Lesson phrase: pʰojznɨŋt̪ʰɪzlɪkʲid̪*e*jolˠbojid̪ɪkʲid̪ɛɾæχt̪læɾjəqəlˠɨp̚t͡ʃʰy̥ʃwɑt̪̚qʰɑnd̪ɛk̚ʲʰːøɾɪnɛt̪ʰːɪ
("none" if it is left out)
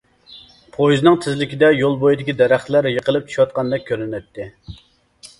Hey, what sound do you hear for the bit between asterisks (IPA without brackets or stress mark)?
ɛ